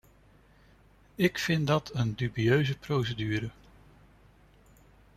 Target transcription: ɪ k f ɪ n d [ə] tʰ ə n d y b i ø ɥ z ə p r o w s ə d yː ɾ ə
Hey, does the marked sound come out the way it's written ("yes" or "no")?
no